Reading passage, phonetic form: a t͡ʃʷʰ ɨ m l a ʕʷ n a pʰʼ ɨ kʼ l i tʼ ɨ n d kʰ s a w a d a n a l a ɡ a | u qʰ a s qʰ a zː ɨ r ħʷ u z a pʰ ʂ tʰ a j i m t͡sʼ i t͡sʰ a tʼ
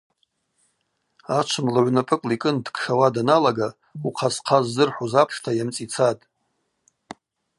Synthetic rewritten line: a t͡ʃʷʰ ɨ m l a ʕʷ n a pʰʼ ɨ kʼ l i kʼ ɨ n d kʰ ʂ a w a d a n a l a ɡ a | u qʰ a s qʰ a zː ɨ r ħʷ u z a pʰ ʂ tʰ a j a m t͡sʼ i t͡sʰ a tʼ